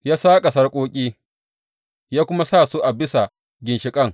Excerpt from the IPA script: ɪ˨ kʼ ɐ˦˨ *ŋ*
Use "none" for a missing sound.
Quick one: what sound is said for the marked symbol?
ŋ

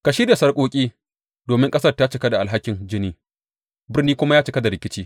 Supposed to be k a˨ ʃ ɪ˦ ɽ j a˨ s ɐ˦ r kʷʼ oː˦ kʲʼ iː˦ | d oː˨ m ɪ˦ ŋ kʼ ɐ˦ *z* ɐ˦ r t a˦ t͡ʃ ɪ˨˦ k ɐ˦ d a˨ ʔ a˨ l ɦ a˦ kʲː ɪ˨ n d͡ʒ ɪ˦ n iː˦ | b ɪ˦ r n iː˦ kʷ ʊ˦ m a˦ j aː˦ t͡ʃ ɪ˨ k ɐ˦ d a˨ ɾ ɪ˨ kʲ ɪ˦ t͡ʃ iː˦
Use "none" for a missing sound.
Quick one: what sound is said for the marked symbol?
s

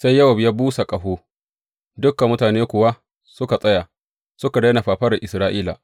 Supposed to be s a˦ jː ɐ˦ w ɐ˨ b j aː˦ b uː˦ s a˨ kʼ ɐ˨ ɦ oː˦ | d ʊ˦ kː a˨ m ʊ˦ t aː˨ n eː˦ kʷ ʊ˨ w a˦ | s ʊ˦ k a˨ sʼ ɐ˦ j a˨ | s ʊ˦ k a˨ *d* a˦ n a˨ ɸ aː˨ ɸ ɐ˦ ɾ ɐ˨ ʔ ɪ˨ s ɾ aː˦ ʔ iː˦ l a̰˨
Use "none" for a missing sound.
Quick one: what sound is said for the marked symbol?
d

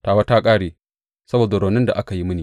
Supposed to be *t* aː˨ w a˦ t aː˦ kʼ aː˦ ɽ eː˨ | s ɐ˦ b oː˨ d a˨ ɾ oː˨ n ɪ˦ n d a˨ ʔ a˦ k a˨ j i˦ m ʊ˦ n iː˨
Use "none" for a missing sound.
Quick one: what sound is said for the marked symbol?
t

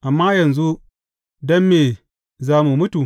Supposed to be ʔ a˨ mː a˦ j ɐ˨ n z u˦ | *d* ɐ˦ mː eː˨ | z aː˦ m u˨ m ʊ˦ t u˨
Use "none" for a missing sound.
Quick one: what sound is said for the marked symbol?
d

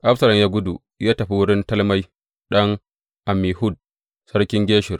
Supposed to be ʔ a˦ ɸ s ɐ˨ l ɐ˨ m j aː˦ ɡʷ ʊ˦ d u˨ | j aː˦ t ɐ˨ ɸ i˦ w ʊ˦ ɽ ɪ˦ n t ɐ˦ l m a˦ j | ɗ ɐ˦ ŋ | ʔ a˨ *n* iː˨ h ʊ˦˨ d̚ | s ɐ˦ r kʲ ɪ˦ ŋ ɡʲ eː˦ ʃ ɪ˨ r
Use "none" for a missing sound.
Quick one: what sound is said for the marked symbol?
m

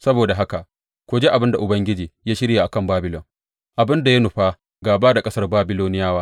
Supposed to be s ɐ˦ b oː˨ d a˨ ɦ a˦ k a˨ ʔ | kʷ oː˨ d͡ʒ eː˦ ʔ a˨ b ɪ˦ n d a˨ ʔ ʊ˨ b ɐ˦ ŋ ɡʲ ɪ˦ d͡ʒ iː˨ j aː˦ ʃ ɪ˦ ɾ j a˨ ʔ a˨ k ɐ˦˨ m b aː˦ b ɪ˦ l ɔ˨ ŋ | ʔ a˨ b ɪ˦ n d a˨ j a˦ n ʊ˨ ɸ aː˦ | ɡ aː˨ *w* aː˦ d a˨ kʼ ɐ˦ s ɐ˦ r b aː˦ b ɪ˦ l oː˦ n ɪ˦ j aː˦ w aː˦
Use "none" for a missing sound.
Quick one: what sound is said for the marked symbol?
b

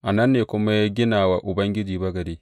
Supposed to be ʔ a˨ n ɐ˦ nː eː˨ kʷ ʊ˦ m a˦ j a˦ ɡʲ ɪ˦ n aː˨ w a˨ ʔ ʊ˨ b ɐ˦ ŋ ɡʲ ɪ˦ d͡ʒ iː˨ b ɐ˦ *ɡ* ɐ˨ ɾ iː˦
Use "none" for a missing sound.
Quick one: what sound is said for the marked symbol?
ɡ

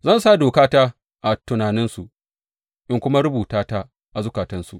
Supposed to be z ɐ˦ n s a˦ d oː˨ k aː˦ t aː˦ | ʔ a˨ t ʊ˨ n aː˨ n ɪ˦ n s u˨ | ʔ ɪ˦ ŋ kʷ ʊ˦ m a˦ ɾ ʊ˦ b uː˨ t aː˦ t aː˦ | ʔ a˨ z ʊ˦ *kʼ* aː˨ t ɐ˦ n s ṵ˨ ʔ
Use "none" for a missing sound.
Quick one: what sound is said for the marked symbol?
k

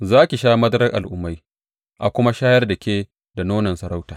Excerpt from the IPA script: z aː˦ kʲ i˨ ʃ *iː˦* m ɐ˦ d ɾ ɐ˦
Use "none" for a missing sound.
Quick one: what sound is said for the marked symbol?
aː˦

